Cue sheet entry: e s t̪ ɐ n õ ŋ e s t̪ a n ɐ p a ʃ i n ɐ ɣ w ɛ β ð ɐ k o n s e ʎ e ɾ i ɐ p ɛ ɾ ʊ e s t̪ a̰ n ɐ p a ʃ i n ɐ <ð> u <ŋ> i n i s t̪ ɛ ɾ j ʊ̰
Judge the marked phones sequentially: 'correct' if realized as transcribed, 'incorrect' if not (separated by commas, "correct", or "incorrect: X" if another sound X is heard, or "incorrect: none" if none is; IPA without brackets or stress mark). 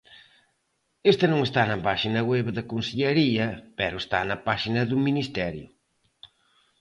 correct, incorrect: m